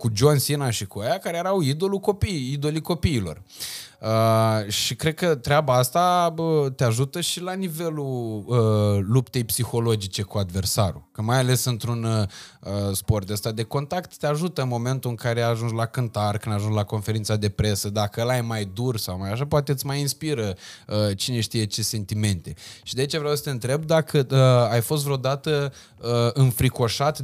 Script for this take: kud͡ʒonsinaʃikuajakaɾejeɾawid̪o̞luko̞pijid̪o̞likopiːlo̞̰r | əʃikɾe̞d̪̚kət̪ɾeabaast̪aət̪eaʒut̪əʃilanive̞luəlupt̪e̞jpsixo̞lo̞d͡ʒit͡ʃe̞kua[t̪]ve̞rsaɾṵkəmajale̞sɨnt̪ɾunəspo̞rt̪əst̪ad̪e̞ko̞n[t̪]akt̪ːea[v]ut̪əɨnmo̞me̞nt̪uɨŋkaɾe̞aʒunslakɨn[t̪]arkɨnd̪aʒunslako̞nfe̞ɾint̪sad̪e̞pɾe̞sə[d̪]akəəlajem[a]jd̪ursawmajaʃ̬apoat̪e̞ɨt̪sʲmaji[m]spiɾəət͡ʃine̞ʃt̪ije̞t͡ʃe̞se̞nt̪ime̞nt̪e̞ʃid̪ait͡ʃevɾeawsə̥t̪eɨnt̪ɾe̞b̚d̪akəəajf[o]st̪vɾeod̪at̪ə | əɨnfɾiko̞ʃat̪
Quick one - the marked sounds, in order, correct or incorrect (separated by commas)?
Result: incorrect, correct, incorrect, correct, correct, correct, incorrect, correct